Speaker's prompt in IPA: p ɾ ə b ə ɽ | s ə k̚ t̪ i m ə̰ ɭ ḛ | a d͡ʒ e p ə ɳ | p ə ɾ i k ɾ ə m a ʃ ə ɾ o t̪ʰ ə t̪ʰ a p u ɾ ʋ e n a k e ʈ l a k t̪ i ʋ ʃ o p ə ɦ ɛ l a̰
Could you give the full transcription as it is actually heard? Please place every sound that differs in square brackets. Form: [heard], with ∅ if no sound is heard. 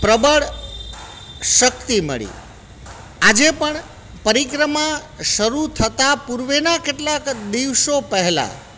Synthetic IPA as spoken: p ɾ ə b ə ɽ | [ʃ] ə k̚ t̪ i m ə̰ ɭ [ḭ] | a d͡ʒ e p ə ɳ | p ə ɾ i k ɾ ə m a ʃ ə ɾ [u] t̪ʰ ə [t̪] a p u ɾ ʋ e n a k e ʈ l a k [d̪] i ʋ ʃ o p ə ɦ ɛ l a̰